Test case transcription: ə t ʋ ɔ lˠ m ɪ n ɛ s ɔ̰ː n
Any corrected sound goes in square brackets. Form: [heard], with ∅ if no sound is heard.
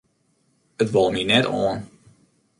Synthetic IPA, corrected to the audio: ə t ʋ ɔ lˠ m [i] n ɛ [t] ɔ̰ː n